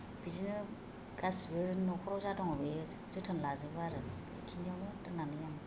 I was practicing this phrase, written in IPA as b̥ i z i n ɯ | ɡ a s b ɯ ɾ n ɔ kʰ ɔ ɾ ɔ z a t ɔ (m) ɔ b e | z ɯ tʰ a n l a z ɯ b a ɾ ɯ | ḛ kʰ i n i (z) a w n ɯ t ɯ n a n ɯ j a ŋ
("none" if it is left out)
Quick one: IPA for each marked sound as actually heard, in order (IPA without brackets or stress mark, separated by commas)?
ŋ, none